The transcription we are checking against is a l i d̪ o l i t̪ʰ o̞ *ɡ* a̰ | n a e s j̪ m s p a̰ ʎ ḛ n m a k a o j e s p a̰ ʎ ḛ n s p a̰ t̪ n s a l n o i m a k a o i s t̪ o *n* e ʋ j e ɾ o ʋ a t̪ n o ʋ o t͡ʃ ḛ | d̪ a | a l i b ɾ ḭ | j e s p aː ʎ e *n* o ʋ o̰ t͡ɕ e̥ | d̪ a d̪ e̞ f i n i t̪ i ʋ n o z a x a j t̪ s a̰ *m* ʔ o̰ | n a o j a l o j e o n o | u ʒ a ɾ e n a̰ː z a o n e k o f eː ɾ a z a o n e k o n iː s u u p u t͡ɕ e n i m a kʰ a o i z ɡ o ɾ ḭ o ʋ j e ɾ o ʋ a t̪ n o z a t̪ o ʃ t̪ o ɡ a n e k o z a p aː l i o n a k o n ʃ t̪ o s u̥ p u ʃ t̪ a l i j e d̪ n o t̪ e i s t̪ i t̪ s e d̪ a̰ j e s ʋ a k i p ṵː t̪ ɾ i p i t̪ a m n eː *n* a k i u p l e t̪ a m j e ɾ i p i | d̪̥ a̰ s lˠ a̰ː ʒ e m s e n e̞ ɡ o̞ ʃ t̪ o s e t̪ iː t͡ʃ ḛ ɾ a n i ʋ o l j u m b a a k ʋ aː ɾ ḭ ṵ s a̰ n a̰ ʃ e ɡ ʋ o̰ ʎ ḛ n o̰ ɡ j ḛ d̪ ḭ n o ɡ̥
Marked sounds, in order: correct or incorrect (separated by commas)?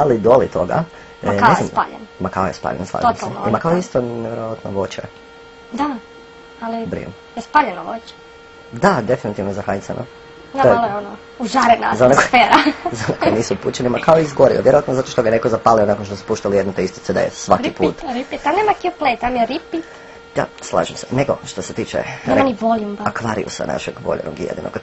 correct, correct, correct, incorrect, incorrect